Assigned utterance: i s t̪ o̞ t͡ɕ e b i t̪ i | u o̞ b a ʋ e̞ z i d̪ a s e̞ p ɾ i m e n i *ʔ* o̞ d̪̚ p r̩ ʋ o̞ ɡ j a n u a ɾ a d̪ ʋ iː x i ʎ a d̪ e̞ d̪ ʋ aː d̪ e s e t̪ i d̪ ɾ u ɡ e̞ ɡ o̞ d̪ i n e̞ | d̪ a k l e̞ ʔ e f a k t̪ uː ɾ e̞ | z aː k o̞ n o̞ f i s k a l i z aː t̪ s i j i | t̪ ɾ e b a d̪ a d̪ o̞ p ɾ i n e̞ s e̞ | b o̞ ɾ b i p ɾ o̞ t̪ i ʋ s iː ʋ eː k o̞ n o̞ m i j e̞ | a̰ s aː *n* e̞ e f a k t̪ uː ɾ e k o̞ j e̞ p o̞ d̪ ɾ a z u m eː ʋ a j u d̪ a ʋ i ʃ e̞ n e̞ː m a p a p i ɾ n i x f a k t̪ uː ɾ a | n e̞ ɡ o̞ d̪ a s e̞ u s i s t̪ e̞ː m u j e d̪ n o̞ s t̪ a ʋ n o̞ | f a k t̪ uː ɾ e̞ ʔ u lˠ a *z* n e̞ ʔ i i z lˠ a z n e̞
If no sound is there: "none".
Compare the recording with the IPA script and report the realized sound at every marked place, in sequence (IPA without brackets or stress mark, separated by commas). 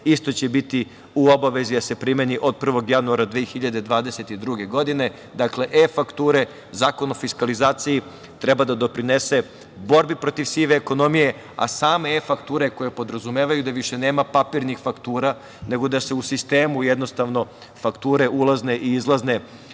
ʔ, m, z